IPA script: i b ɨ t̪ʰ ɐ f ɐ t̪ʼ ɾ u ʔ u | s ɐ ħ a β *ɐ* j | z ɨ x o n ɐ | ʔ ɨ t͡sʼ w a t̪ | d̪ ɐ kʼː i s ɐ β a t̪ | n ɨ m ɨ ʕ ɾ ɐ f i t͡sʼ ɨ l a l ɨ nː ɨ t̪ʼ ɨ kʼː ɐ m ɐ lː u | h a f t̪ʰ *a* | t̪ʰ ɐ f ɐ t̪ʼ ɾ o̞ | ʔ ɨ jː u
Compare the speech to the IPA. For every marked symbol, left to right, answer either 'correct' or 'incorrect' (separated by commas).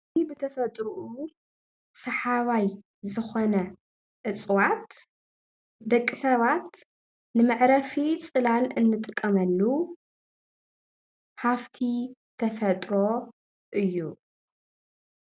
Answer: incorrect, incorrect